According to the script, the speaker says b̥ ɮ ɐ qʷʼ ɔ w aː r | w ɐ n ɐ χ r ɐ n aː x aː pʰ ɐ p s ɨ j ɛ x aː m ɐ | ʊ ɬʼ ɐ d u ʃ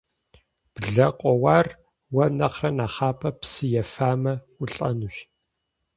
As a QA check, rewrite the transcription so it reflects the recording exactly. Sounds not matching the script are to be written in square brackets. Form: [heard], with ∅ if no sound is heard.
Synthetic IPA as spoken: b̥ ɮ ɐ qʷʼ ɔ w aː r | w ɐ n ɐ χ r ɐ n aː [χ] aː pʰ ɐ p s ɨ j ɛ [f] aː m ɐ | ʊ ɬʼ ɐ [n] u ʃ